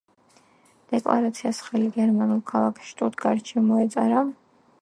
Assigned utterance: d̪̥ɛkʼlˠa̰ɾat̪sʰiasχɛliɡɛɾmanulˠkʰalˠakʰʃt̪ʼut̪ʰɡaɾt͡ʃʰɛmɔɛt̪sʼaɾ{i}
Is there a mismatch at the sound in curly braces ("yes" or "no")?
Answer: yes